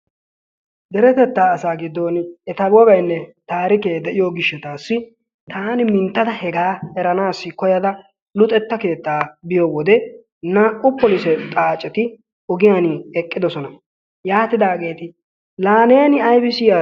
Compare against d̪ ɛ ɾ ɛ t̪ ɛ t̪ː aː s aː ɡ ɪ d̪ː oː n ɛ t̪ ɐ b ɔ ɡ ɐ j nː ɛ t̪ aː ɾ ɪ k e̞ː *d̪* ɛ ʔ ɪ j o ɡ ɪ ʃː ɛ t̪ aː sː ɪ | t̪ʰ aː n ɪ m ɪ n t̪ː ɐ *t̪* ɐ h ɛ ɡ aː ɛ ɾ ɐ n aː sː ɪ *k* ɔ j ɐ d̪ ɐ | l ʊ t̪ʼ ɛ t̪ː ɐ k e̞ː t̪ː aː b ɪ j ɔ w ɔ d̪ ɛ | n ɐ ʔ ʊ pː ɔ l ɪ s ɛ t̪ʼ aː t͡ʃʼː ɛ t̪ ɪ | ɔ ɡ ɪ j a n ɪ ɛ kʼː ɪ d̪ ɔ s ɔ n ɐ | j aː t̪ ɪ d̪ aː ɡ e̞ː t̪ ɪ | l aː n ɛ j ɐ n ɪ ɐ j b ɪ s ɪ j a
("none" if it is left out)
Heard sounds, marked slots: d̪, d̪, k

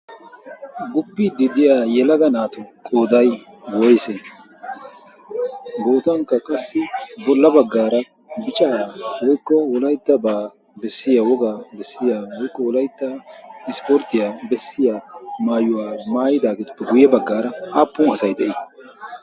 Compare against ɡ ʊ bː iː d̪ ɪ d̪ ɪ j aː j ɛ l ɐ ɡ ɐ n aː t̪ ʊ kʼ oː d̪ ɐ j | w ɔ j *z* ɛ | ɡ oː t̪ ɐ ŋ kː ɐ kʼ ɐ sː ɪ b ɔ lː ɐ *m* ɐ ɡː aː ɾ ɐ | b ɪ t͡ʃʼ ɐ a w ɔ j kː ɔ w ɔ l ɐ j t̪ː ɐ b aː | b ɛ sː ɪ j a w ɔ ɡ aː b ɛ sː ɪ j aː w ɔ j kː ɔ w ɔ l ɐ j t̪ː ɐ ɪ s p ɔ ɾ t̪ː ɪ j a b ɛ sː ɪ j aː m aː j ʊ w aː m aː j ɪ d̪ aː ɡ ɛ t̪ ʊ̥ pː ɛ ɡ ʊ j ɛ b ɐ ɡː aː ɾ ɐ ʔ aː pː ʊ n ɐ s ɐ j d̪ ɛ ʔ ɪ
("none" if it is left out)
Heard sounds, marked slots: s, b

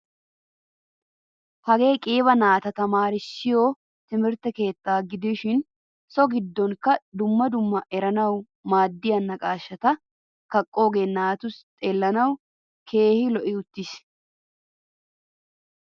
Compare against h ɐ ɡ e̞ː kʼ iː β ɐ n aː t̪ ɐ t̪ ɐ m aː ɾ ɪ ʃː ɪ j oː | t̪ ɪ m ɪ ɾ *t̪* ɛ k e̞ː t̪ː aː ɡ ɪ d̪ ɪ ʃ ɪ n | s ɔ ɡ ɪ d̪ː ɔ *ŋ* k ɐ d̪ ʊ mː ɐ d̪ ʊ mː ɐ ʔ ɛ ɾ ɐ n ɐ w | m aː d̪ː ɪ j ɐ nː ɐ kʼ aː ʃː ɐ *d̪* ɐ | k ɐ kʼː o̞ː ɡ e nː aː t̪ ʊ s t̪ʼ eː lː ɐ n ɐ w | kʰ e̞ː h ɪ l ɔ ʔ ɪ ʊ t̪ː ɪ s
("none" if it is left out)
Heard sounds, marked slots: t̪, ŋ, t̪

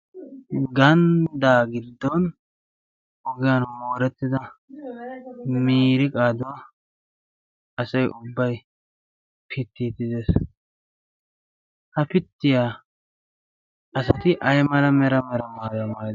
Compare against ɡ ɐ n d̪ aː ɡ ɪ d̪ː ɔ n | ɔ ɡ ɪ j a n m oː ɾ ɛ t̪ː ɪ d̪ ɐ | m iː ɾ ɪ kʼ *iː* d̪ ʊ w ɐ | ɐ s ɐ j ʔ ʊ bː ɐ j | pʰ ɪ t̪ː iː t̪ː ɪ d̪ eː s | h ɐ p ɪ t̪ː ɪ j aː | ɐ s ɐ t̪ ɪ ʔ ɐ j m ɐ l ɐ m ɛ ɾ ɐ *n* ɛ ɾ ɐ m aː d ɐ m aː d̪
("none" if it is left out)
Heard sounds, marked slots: aː, m

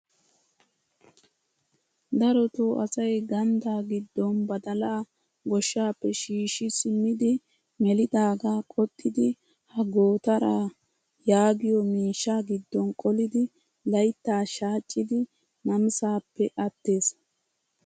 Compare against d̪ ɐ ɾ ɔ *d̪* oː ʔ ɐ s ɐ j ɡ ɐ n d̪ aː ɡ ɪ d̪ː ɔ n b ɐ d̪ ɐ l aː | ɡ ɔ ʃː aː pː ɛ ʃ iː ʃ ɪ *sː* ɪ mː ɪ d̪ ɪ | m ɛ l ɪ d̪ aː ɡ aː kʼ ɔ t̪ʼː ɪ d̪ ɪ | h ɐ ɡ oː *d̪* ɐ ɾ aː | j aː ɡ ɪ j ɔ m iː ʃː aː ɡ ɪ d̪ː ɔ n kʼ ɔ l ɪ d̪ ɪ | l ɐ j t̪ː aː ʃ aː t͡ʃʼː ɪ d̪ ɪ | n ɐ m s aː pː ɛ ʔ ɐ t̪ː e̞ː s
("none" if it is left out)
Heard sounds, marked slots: t̪, s, t̪

